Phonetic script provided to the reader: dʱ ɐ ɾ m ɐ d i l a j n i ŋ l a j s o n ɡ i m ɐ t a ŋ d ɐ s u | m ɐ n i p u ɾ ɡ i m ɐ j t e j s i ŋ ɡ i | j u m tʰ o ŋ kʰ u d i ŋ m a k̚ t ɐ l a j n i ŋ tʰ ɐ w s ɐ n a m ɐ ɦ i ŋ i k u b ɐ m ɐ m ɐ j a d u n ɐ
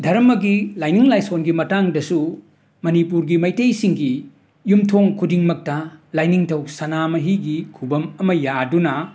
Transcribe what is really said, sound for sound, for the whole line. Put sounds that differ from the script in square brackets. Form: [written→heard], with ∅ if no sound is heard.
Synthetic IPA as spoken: dʱ ɐ ɾ m ɐ [d→ɡ] i l a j n i ŋ l a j s o n ɡ i m ɐ t a ŋ d ɐ s u | m ɐ n i p u ɾ ɡ i m ɐ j t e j s i ŋ ɡ i | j u m tʰ o ŋ kʰ u d i ŋ m [a→ɐ] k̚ t ɐ l a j n i ŋ tʰ ɐ w s ɐ n a m ɐ ɦ i [ŋ→ɡ] i [k→kʰ] u b ɐ m ɐ m ɐ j a d u n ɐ